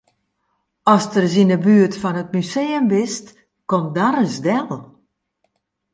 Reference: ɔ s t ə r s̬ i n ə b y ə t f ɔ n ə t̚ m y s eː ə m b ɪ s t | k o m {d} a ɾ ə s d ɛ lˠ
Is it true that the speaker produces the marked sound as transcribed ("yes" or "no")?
yes